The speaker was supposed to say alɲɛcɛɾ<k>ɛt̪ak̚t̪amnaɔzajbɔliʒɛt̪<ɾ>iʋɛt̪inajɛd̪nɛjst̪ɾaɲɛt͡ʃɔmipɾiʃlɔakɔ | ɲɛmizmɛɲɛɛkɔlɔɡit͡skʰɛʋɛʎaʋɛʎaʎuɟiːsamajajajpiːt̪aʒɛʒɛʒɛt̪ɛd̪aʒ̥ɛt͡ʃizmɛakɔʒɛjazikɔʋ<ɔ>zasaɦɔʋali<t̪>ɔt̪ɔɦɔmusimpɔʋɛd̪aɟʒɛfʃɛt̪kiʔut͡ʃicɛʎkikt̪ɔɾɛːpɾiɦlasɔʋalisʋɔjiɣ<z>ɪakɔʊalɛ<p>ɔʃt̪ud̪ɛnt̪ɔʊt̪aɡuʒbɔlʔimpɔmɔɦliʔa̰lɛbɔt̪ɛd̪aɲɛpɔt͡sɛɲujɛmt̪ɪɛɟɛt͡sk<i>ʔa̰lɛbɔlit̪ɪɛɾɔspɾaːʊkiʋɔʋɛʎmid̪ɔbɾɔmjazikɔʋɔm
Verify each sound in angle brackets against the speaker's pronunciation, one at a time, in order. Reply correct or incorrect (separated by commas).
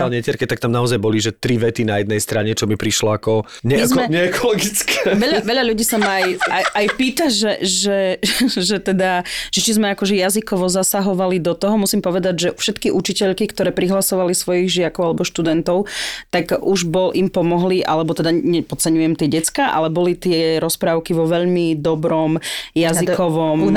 correct, correct, correct, incorrect, incorrect, incorrect, incorrect